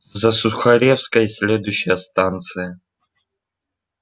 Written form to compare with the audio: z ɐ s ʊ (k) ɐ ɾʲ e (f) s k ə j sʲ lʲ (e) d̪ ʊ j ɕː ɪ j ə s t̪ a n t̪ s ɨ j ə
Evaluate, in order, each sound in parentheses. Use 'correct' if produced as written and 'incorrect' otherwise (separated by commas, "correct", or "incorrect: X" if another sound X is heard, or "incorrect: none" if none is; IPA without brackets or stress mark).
incorrect: x, correct, correct